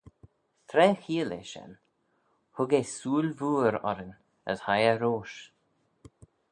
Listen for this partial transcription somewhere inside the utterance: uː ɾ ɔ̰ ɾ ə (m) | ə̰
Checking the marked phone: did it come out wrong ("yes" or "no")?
yes